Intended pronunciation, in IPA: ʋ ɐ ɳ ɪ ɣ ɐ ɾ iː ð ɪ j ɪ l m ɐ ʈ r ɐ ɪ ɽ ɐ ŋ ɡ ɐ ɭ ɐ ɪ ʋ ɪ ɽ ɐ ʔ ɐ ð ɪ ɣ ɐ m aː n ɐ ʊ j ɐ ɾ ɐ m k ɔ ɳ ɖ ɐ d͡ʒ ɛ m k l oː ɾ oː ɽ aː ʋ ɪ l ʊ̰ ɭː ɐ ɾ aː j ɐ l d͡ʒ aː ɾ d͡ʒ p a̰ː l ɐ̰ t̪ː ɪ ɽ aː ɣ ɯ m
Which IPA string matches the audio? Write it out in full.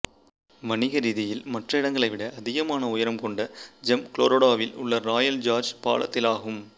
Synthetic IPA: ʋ ɐ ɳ ɪ ɣ ɐ ɾ iː ð ɪ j ɪ l m ɐ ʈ r ɐ ɪ ɽ ɐ ŋ ɡ ɐ ɭ ɐ ɪ ʋ ɪ ɽ ɐ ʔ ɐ ð ɪ ɣ ɐ m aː n ɐ ʊ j ɐ ɾ ɐ m k ɔ ɳ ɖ ɐ d͡ʒ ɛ m k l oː ɾ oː ɽ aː ʋ ɪ l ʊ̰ ɭː ɐ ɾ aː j ɐ l d͡ʒ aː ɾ d͡ʒ p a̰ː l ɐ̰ t̪ː ɪ l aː ɣ ɯ m